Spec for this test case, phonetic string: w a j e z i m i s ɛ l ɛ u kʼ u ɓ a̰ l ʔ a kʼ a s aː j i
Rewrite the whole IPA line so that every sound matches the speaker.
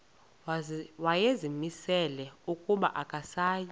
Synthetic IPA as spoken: w a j e z i m i s ɛ l ɛ u kʼ u ɓ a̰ ʔ a kʼ a s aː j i